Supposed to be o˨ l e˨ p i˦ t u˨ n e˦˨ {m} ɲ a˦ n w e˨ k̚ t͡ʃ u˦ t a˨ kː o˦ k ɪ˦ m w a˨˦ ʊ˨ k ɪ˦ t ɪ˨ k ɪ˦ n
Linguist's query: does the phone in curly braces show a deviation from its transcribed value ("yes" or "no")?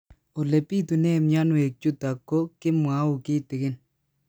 no